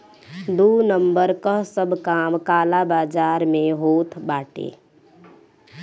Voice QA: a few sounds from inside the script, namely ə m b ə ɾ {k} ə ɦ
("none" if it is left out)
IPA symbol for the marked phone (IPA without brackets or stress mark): k